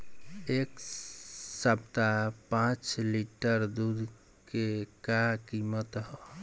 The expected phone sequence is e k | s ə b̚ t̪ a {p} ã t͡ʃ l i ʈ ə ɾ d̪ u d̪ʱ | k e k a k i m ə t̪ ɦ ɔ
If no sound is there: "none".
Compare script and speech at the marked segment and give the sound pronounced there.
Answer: p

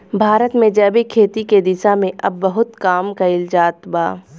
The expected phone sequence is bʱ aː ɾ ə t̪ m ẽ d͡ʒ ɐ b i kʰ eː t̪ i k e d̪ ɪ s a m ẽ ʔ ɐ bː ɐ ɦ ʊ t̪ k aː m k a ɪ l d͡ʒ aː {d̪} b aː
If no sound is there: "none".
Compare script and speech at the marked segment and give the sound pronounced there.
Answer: t̪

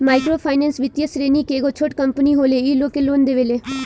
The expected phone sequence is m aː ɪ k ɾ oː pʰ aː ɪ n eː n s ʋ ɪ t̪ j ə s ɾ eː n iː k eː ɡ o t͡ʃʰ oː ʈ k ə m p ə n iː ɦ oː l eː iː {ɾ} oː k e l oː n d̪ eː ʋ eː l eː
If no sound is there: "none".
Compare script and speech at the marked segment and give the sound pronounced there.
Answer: l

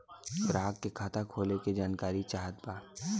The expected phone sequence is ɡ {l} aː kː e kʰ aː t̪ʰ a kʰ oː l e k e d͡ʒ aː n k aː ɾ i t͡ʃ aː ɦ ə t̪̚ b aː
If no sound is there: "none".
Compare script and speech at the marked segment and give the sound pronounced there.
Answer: ɾ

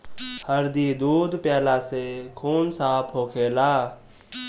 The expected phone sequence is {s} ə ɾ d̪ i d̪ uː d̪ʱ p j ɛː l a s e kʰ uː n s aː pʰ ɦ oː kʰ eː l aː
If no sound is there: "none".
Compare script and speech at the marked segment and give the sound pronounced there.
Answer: h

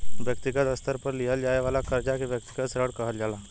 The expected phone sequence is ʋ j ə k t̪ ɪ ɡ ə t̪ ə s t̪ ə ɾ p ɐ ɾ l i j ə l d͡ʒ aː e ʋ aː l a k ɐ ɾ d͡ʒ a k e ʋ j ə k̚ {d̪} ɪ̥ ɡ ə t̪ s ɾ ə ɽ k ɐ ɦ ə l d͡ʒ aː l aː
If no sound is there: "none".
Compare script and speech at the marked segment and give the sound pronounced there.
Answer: t̪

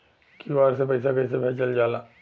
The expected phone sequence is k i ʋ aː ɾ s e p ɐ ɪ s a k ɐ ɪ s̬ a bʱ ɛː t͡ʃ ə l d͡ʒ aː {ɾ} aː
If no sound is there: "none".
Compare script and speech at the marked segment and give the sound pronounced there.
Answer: l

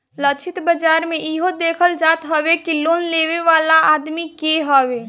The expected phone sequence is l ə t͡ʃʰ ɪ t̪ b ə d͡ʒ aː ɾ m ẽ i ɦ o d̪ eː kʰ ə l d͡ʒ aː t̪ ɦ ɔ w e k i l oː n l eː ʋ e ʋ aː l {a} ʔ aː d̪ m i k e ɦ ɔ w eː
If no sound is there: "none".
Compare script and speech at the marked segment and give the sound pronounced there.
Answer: a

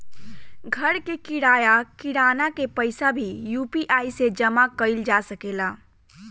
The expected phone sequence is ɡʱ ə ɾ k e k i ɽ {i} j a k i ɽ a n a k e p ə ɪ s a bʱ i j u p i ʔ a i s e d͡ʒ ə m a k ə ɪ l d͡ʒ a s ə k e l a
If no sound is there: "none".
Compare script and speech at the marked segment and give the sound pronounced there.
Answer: a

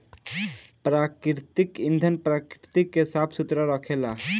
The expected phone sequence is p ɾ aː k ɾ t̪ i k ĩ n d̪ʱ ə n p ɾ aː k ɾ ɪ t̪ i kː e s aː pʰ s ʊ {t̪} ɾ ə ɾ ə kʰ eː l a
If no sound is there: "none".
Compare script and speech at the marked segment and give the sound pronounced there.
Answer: t̪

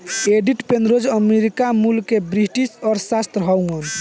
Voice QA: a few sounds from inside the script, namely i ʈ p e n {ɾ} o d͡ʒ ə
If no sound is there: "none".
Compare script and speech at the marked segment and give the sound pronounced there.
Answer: ɾ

